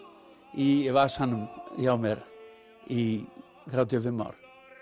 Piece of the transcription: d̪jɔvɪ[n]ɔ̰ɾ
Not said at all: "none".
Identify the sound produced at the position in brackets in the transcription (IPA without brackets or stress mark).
m